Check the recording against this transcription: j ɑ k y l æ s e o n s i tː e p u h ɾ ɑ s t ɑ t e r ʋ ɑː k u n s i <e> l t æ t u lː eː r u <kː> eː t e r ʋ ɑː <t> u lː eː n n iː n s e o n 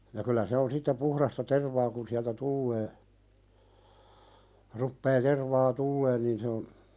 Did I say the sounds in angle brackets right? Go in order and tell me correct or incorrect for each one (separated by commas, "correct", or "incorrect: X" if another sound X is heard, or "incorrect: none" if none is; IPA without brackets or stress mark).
incorrect: æ, incorrect: pː, correct